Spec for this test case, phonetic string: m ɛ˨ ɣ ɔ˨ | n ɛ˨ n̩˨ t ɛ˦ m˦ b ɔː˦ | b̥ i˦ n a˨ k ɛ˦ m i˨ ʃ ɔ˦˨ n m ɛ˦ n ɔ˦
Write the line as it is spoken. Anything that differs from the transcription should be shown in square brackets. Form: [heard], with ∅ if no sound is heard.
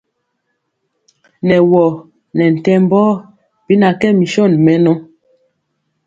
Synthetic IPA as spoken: [n] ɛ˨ [w] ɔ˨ | n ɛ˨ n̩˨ t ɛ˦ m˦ b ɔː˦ | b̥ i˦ n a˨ k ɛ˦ m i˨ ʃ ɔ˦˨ n m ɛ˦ n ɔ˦

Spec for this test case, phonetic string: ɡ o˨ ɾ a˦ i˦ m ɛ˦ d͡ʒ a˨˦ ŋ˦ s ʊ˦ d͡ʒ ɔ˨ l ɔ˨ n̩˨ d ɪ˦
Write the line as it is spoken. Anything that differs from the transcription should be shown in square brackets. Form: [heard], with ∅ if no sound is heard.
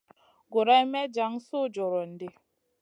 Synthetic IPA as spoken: ɡ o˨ ɾ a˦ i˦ m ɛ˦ d͡ʒ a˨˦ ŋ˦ s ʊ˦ d͡ʒ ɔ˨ [ɾ] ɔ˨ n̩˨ d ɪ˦

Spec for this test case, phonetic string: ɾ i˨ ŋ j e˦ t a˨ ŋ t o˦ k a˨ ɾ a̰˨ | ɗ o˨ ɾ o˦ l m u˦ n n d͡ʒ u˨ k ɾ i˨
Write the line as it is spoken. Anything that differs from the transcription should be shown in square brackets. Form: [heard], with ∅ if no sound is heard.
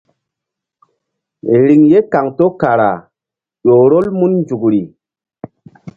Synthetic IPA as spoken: ɾ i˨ ŋ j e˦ [k] a˨ ŋ t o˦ k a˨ ɾ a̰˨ | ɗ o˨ ɾ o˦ l m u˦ n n d͡ʒ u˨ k ɾ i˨

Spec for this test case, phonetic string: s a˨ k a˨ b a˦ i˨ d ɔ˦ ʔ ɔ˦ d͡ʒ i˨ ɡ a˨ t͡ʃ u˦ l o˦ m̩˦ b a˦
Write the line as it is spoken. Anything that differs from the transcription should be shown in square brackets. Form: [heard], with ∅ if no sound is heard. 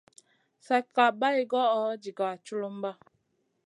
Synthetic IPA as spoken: s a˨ k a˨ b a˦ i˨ [ɡ] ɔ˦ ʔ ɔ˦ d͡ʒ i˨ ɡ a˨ t͡ʃ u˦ l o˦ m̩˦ b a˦

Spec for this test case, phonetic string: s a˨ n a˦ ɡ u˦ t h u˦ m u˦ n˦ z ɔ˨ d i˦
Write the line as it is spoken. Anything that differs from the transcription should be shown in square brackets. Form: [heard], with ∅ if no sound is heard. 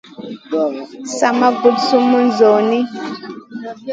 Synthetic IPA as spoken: s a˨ [m] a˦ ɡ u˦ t [s] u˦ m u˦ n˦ z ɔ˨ [n] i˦

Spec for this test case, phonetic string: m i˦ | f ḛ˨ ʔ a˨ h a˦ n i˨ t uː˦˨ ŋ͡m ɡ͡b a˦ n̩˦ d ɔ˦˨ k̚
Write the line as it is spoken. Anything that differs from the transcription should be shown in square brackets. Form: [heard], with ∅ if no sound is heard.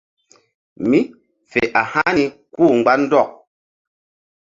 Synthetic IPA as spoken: m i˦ | f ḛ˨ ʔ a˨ h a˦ n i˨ [k] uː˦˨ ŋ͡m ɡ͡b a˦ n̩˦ d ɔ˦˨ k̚

